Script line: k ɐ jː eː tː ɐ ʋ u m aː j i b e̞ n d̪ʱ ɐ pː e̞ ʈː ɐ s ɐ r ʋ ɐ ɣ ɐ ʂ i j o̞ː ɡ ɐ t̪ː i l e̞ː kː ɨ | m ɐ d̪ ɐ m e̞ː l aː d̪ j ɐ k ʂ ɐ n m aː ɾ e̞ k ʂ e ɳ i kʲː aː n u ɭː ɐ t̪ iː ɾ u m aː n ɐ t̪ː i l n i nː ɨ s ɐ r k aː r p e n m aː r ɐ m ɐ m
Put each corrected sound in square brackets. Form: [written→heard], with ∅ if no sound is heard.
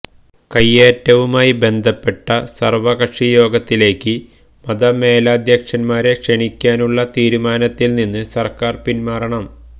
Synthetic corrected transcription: k ɐ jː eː tː ɐ ʋ u m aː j i b e̞ n d̪ʱ ɐ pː e̞ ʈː ɐ s ɐ r ʋ ɐ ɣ ɐ ʂ i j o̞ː ɡ ɐ t̪ː i l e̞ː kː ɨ | m ɐ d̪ ɐ m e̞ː l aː d̪ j ɐ k ʂ ɐ n m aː ɾ e̞ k ʂ e ɳ i kʲː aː n u ɭː ɐ t̪ iː ɾ u m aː n ɐ t̪ː i l n i nː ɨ s ɐ r k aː r p [e→i] n m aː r ɐ [m→ɳ] ɐ m